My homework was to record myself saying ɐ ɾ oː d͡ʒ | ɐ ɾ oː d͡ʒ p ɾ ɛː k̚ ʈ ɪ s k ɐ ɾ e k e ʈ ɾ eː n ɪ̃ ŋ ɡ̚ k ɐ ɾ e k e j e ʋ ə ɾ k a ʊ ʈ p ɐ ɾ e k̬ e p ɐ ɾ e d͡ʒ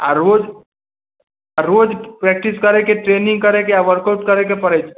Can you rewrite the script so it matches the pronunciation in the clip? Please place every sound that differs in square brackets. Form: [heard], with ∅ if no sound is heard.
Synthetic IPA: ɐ ɾ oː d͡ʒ | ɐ ɾ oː d͡ʒ p ɾ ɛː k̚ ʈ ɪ s k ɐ ɾ e k e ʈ ɾ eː n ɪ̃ ŋ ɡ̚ k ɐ ɾ e k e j [a] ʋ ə ɾ k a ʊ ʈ [k] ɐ ɾ e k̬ e p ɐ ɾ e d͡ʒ